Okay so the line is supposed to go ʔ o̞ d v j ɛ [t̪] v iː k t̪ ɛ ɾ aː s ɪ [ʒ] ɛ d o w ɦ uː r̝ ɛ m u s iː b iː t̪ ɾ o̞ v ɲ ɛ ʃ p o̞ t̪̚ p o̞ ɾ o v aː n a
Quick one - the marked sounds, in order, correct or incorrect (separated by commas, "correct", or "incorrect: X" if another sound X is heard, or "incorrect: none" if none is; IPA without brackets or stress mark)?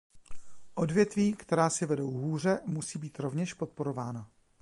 correct, incorrect: v